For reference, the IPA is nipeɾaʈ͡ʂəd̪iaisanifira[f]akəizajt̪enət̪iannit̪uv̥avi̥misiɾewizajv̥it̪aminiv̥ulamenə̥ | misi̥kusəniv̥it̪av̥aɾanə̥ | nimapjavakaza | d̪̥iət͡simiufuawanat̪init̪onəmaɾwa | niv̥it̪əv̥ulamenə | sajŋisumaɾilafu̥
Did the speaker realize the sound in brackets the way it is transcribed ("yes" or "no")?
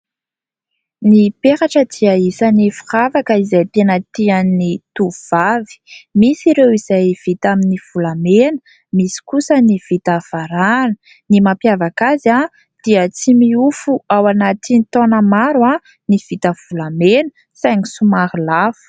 no